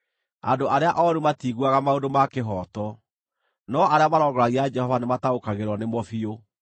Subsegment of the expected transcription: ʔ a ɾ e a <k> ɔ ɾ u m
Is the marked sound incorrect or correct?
incorrect